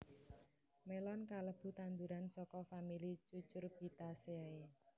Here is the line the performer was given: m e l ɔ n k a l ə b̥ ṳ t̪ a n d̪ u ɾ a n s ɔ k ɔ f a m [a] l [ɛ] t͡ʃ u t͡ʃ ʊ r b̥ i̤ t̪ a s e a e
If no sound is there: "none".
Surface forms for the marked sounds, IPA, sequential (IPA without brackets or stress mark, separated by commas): i, i